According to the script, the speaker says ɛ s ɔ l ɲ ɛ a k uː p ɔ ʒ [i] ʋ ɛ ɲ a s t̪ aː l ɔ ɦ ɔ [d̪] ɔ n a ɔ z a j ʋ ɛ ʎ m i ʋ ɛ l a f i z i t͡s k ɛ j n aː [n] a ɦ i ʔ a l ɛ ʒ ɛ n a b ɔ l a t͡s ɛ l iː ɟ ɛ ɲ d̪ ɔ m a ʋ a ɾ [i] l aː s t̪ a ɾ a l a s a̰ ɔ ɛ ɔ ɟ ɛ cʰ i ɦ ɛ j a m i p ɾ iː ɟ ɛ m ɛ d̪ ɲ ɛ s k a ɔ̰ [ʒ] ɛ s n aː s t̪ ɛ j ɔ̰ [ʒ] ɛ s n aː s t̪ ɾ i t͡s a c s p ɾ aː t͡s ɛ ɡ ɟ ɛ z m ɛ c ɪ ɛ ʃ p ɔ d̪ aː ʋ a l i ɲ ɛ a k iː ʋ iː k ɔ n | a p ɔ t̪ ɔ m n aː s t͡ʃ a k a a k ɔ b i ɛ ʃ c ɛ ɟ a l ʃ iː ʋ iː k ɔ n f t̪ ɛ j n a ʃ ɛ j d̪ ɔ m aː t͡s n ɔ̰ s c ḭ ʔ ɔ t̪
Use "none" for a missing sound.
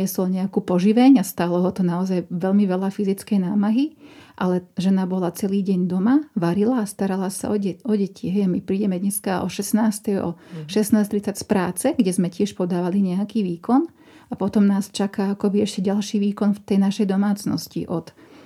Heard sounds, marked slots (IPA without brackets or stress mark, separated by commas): i, t̪, m, i, ʃ, ʃ